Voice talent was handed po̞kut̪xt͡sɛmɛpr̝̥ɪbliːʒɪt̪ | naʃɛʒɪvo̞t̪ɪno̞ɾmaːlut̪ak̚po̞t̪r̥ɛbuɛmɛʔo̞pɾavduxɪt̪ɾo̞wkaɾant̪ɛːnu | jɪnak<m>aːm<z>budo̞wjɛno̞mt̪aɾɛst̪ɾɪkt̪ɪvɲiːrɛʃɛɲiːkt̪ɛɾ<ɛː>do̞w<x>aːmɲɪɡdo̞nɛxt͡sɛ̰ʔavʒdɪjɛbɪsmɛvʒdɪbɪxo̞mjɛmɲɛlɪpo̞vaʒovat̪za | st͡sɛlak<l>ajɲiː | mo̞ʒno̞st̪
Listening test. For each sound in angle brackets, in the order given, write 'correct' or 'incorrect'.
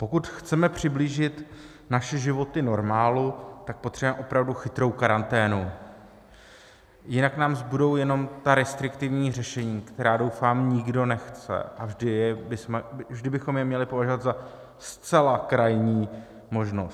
incorrect: n, correct, incorrect: aː, incorrect: f, incorrect: ɾ

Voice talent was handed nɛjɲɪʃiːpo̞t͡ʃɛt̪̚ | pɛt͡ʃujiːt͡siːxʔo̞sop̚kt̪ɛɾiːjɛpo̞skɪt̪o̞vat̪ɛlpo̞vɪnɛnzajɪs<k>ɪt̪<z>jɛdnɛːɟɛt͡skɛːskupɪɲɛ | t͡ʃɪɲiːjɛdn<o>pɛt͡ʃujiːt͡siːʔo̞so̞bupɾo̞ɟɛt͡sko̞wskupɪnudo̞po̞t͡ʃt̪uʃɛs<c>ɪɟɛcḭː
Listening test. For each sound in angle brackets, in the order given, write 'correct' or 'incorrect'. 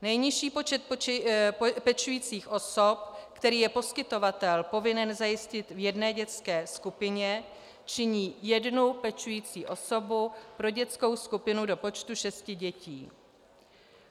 incorrect: c, incorrect: v, incorrect: u, correct

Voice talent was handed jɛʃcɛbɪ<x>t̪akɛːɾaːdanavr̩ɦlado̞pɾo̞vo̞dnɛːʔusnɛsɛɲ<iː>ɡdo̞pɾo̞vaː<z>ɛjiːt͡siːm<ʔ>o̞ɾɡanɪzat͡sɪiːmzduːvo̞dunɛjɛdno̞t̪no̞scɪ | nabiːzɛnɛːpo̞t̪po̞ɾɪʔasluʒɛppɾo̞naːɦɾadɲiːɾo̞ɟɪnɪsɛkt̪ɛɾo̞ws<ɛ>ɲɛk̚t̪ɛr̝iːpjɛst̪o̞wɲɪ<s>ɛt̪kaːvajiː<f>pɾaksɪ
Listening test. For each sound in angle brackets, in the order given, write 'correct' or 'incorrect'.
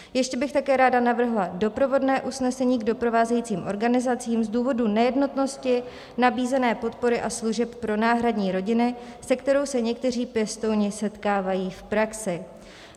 correct, correct, correct, correct, correct, correct, correct

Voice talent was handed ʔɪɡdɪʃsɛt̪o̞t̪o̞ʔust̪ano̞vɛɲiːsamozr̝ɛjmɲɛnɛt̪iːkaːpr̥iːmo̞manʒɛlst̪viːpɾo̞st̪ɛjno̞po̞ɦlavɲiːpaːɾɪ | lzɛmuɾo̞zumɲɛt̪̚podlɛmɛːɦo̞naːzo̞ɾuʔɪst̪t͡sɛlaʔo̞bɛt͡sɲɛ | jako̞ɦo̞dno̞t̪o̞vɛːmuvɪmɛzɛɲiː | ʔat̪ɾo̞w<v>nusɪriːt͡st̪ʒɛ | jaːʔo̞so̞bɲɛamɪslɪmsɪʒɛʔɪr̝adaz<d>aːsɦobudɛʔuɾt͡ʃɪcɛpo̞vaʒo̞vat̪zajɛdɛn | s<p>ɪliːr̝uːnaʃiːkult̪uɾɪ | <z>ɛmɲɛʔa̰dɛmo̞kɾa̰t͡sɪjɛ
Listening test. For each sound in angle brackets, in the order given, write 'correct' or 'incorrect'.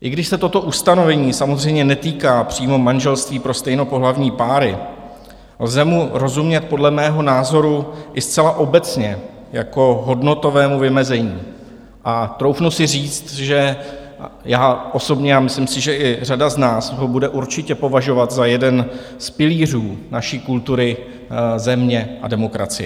incorrect: f, incorrect: n, correct, correct

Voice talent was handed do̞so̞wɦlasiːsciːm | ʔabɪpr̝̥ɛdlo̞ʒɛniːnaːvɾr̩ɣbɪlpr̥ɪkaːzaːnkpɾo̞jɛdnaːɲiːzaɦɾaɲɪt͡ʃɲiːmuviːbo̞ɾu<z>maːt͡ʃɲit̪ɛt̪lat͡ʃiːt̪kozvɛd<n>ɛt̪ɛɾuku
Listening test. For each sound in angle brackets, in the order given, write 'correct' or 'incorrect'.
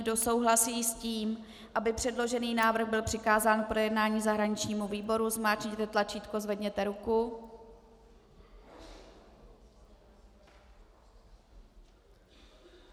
correct, incorrect: ɲ

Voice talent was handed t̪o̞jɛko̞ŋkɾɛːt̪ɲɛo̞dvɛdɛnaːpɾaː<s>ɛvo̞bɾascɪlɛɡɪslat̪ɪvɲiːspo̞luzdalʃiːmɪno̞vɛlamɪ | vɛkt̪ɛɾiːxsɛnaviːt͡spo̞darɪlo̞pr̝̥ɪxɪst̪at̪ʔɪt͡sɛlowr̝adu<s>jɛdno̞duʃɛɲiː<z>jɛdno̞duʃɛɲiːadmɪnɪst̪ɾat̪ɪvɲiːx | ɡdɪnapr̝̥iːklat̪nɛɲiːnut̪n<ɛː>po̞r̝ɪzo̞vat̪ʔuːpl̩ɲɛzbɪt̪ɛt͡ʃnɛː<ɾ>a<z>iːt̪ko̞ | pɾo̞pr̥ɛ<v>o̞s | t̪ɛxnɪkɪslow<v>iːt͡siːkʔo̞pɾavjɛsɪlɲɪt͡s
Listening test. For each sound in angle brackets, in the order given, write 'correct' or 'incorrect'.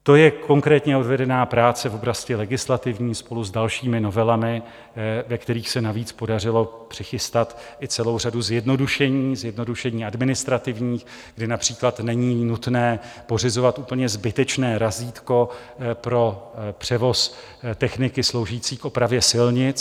incorrect: t͡s, incorrect: z, correct, correct, correct, correct, correct, incorrect: ʒ

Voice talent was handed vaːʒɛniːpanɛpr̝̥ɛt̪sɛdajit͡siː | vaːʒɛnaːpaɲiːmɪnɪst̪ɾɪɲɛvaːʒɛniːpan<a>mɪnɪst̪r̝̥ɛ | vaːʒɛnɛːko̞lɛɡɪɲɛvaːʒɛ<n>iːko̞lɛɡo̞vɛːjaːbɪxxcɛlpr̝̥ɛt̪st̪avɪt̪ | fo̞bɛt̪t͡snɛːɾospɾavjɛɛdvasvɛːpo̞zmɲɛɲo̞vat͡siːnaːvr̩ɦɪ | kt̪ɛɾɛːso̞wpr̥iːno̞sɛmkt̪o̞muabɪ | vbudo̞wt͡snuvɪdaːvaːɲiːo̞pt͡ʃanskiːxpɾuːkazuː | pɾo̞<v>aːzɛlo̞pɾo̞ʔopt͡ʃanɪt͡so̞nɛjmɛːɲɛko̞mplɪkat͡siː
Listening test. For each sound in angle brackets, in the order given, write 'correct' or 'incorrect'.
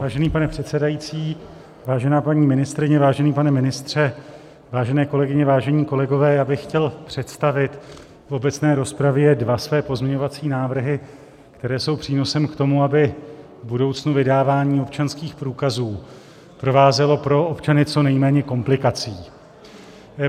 incorrect: ɛ, incorrect: ɲ, correct

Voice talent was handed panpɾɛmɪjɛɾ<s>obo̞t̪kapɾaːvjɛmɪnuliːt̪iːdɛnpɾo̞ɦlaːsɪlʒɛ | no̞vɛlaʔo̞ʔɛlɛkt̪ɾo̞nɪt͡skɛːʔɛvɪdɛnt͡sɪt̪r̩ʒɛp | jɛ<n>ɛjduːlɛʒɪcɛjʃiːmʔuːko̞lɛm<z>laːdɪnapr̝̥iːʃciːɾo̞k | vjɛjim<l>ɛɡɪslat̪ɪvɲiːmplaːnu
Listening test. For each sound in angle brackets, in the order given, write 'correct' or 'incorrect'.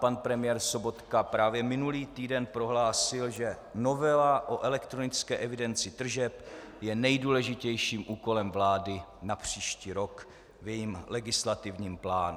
correct, correct, incorrect: v, correct

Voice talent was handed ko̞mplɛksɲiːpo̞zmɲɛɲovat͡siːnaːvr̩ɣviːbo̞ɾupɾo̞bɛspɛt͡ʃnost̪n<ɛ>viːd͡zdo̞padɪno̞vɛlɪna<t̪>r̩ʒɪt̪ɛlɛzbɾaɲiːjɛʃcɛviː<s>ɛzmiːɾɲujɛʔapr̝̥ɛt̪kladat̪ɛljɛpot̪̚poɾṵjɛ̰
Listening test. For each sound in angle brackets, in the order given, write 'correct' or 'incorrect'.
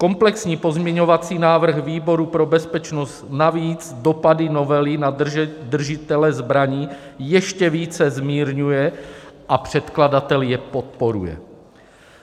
incorrect: a, incorrect: d̪, incorrect: t͡s

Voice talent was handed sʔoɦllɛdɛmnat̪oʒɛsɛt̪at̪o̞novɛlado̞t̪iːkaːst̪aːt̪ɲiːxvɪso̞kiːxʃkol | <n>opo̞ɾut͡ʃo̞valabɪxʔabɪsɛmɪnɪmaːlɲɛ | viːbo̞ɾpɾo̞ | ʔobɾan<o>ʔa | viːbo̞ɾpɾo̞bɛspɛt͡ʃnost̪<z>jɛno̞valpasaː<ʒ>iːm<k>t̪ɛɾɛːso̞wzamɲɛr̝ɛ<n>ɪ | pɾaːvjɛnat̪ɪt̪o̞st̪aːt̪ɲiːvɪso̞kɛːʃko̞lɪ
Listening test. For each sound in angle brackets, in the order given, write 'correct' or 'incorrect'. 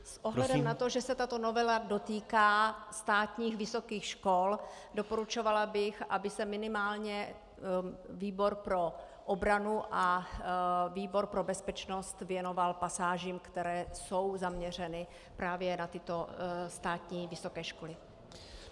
incorrect: d, incorrect: u, incorrect: v, correct, correct, correct

